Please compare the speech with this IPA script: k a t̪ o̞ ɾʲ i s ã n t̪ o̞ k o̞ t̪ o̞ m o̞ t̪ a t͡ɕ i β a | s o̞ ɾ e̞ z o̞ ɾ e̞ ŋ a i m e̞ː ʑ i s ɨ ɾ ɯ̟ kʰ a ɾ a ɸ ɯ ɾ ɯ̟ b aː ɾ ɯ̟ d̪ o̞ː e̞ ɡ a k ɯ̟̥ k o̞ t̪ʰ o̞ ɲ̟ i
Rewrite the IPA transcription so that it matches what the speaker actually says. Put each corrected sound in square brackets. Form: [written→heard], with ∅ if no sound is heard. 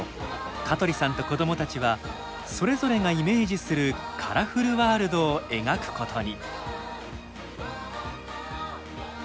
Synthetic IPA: k a t̪ o̞ ɾʲ i s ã n t̪ o̞ k o̞ [t̪→d̪] o̞ m o̞ t̪ a t͡ɕ i β a | s o̞ ɾ e̞ z o̞ ɾ e̞ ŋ a i m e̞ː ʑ i s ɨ ɾ ɯ̟ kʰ a ɾ a ɸ ɯ ɾ ɯ̟ [b→β] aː ɾ ɯ̟ d̪ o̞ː e̞ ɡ a k ɯ̟̥ k o̞ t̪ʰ o̞ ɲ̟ i